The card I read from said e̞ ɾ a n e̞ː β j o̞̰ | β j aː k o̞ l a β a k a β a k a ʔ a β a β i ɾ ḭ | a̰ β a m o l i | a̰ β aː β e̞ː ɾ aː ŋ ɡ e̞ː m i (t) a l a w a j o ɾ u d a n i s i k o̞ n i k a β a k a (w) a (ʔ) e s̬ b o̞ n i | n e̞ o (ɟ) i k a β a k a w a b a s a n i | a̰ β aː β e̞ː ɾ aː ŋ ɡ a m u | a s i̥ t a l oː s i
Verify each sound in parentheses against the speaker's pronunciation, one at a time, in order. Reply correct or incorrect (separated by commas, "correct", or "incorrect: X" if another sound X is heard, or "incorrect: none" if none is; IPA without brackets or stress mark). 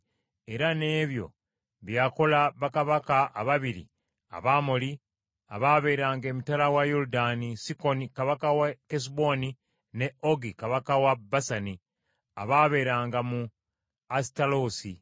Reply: correct, correct, incorrect: k, incorrect: ɡ